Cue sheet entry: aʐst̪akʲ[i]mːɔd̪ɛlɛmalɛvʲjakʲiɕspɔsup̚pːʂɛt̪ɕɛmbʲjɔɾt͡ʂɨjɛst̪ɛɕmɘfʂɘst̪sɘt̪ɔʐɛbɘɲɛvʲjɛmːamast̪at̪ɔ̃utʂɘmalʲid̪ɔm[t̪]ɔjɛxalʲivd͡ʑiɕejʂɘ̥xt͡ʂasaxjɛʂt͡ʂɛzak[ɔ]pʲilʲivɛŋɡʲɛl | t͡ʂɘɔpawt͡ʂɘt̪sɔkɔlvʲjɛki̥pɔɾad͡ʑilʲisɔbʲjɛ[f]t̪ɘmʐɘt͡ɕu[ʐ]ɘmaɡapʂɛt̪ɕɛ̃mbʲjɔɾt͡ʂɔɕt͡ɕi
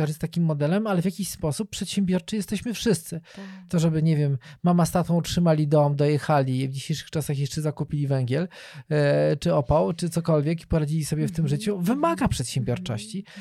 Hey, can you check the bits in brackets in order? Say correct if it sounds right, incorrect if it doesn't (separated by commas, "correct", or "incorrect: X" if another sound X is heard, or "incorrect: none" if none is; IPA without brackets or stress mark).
correct, incorrect: d̪, incorrect: u, correct, incorrect: v